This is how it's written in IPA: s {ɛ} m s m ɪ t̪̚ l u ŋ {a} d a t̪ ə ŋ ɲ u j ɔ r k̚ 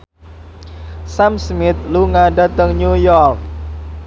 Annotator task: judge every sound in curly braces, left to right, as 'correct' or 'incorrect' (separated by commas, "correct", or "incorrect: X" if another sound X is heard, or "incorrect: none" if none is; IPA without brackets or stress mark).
incorrect: a, correct